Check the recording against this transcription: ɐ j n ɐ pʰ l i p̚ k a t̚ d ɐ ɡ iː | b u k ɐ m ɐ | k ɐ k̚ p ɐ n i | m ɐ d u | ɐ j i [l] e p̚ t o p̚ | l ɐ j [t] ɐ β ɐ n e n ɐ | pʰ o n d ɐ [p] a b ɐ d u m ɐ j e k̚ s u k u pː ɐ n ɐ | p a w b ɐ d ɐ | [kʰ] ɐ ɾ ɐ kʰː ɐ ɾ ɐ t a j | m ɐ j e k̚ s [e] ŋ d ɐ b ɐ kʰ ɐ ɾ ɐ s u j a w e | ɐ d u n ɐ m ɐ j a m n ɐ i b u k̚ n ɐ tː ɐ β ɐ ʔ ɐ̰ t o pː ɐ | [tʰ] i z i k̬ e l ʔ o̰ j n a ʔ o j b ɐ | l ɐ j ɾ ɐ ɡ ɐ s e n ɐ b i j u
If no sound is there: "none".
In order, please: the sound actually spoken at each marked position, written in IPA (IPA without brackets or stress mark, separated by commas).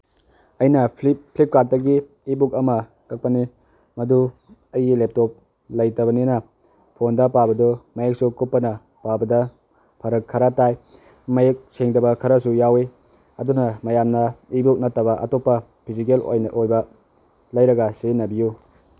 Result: l, t, p, pʰ, e, pʰ